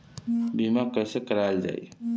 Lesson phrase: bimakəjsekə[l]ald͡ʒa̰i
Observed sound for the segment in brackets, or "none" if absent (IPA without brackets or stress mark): ɾ